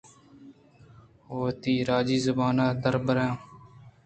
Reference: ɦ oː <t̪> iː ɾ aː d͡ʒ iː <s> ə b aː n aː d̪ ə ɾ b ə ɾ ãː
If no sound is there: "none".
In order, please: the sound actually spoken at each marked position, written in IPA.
t̪, z

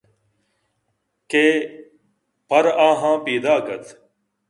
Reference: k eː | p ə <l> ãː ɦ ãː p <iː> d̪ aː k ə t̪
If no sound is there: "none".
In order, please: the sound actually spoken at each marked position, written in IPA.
ɾ, iː

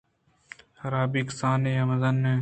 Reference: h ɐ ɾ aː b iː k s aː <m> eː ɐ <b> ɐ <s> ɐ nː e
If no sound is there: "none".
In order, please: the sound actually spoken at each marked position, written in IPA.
n, m, z

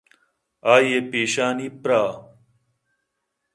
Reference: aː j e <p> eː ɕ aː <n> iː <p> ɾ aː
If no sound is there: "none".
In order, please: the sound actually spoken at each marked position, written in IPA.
p, n, p

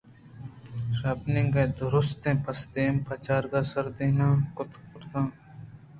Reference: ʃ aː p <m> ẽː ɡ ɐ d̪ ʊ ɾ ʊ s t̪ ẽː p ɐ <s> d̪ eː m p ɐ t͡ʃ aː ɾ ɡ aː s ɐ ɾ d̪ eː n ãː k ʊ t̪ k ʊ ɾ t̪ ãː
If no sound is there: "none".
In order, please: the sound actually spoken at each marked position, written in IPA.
n, s

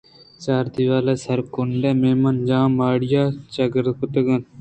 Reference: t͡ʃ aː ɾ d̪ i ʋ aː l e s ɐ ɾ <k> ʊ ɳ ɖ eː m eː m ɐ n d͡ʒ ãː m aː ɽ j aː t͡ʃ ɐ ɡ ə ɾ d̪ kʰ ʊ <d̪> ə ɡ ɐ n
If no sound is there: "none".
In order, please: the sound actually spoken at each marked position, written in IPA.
k, t̪

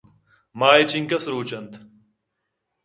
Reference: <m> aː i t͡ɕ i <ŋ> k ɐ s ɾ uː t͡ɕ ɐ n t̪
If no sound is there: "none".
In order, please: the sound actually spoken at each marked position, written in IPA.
m, ŋ

